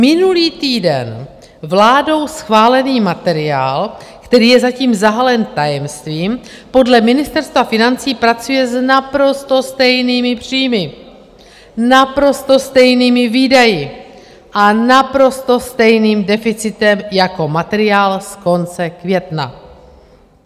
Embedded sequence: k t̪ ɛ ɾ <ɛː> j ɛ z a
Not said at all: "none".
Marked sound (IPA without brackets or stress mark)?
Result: iː